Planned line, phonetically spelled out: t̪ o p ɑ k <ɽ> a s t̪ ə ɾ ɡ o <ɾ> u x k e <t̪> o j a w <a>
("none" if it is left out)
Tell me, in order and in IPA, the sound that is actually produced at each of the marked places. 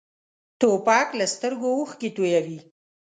l, none, t̪, i

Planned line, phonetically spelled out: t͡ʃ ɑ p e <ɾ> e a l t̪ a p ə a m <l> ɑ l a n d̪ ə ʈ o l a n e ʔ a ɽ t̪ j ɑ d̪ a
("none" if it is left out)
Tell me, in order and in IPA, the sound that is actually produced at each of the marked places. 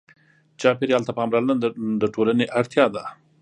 ɾ, ɾ

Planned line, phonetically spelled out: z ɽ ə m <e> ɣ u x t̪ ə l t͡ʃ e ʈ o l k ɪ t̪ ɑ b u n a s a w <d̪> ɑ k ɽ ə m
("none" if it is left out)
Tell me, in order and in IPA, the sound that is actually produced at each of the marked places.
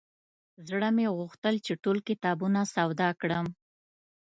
e, d̪

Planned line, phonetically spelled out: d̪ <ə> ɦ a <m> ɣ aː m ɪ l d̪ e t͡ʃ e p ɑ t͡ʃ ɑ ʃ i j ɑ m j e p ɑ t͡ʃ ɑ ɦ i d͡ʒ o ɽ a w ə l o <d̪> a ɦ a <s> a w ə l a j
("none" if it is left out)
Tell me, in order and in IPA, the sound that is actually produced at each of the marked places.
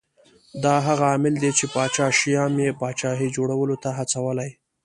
ɑ, none, t̪, t͡s

